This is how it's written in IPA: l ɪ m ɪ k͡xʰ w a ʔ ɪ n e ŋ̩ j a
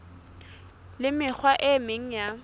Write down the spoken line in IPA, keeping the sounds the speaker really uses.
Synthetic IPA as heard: l ɪ m ɪ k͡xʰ w a ʔ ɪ m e ŋ̩ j a